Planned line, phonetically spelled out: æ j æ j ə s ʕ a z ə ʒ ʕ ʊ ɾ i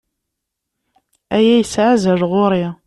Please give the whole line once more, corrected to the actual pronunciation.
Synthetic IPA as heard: æ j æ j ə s ʕ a z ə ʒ ʁ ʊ ɾ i

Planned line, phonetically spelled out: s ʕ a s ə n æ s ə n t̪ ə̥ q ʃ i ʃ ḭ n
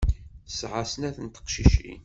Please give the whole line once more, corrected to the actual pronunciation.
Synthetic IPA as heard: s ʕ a s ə n æ θ ə n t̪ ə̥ q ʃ i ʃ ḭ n

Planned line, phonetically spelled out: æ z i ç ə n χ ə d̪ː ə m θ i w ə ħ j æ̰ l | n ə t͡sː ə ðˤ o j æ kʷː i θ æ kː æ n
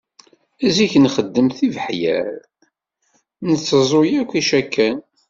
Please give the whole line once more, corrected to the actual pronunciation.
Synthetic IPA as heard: æ z i ç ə n χ ə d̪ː ə m θ i v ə ħ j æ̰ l | n ə t͡sː ə zˤ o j æ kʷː i ʃ æ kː æ n

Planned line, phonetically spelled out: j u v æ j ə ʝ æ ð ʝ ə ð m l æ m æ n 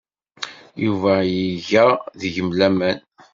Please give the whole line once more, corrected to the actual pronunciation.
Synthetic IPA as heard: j u v æ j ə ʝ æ ð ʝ ə m l æ m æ n

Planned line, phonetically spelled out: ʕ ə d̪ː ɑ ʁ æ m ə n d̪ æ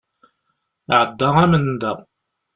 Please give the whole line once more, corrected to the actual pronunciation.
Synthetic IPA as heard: ʕ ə d̪ː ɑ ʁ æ m ə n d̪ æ

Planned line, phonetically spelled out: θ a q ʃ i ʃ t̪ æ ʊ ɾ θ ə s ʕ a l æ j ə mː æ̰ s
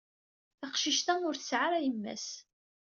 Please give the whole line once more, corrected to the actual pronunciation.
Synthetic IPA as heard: θ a q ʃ i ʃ t̪ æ ʊ ɾ θ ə s ʕ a ɾ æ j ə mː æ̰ s

